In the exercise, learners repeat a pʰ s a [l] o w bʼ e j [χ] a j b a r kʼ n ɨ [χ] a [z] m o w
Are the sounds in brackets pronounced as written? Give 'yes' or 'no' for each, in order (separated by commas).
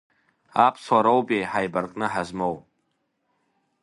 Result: no, no, no, yes